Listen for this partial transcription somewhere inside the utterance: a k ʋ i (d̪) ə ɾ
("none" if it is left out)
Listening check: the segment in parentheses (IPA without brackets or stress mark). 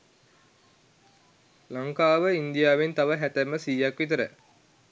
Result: t̪